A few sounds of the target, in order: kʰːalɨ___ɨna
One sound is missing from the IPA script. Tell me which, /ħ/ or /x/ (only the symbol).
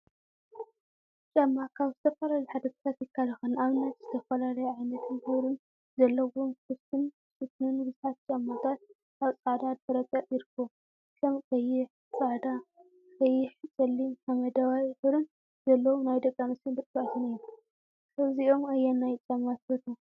x